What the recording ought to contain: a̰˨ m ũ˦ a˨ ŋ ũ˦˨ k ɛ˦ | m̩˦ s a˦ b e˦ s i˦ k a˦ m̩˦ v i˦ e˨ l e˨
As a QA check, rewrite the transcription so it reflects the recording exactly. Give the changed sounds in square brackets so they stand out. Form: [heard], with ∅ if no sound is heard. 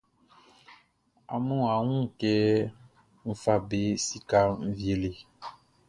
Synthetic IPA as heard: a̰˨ m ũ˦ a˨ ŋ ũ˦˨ k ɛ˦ | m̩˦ [f] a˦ b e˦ s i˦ k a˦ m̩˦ v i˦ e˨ l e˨